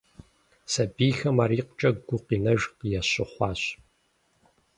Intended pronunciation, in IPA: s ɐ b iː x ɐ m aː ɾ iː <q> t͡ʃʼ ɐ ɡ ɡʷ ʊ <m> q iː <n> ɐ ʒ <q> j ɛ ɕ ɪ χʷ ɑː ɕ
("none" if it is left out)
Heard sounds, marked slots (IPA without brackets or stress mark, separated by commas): q, none, n, q